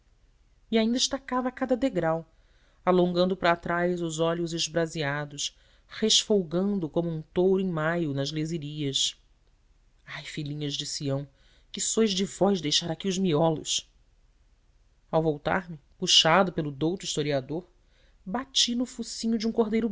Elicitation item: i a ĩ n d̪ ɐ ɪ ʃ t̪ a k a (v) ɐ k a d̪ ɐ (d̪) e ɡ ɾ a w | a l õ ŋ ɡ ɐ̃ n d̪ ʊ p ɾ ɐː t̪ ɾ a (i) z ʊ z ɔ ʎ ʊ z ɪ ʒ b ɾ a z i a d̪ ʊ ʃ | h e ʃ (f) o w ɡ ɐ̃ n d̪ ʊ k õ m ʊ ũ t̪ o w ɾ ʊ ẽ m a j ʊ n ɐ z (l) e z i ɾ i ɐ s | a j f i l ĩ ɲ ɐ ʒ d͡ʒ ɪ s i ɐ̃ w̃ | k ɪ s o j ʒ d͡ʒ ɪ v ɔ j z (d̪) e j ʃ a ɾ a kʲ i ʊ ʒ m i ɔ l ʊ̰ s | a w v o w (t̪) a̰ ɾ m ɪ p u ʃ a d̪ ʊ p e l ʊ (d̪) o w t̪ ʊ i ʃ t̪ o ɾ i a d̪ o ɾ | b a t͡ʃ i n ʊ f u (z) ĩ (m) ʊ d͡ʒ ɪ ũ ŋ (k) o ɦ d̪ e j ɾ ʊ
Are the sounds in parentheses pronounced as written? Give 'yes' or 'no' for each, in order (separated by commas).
yes, yes, no, yes, yes, yes, yes, yes, no, no, yes